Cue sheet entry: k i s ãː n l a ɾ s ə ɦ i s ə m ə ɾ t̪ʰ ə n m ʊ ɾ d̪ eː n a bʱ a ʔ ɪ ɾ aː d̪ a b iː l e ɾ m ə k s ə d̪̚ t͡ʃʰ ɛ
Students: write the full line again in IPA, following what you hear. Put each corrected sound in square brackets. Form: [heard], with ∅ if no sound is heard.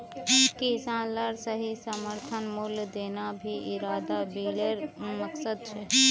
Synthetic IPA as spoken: k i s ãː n l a ɾ s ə ɦ i s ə m ə ɾ t̪ʰ ə n m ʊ [l] d̪ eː n a bʱ [i] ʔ ɪ ɾ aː d̪ a b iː l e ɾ m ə k s ə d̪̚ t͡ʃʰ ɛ